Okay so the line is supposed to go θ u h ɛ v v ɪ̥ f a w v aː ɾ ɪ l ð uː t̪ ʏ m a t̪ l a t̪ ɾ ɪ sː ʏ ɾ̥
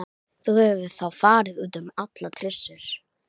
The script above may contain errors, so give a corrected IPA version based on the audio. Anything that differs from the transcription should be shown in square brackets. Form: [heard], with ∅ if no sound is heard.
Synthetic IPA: θ u h ɛ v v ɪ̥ [θ] a w [f] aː ɾ ɪ [∅] ð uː t̪ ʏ m a t̪ l a [t̪ʰ] ɾ ɪ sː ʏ ɾ̥